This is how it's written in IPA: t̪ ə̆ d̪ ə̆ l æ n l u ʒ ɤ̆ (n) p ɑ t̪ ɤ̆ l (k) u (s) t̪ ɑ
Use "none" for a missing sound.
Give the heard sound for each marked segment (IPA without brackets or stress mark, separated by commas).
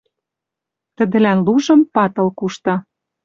m, k, ʃ